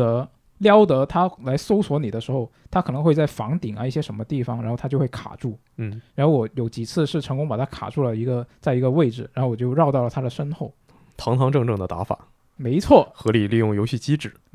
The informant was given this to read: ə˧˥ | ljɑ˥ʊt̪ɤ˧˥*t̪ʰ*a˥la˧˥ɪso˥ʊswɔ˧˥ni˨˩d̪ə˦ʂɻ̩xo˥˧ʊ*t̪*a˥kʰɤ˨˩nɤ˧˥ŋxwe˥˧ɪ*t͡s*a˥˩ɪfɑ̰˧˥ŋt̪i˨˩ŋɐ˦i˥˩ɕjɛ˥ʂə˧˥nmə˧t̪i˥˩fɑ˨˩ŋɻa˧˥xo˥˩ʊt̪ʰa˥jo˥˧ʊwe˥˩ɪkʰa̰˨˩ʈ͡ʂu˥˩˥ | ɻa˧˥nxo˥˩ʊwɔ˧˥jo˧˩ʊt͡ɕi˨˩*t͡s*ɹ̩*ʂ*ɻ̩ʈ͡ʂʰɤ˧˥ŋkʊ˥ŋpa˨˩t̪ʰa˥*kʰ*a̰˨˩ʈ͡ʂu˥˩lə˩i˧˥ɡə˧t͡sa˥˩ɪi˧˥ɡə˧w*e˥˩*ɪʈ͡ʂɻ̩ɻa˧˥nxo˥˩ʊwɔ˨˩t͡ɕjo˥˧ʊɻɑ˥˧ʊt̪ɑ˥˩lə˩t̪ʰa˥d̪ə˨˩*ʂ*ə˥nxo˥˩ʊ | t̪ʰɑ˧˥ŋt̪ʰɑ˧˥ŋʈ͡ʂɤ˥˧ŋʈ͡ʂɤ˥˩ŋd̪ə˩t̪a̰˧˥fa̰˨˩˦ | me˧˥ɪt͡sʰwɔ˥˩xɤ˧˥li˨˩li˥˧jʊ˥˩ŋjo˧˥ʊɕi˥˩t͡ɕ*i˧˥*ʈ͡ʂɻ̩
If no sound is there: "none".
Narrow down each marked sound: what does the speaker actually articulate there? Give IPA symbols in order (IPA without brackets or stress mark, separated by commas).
t̪ʰ, t̪ʰ, t͡s, t͡sʰ, ʂ, kʰ, e˥˩, ʂ, i˥